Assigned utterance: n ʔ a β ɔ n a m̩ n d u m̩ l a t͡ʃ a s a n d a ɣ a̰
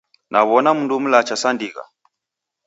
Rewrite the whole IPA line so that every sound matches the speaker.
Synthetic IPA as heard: n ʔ a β ɔ n a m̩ n d u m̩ l a t͡ʃ a s a n d i ɣ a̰